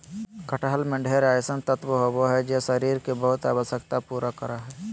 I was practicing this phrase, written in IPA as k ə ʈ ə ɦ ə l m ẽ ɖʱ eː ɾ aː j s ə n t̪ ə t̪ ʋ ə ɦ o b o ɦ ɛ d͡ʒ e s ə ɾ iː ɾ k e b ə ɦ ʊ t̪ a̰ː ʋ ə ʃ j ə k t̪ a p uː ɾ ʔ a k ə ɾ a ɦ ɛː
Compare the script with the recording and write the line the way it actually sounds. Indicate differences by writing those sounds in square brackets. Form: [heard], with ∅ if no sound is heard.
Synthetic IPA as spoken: k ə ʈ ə ɦ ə l m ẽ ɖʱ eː ɾ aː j s ə n t̪ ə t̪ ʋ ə ɦ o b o ɦ ɛ d͡ʒ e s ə ɾ iː ɾ k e b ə ɦ ʊ t̪ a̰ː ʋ ə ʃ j ə k t̪ a p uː ɾ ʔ a k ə ɾ a ɦ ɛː